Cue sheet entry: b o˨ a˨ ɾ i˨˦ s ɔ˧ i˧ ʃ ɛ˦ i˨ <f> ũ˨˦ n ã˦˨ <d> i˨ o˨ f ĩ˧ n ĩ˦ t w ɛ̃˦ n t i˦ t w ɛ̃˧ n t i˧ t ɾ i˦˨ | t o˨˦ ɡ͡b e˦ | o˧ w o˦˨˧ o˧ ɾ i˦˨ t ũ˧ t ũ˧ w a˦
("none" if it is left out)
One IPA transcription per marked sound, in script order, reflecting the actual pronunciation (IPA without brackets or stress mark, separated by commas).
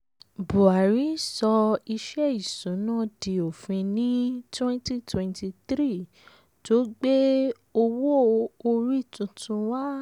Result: s, d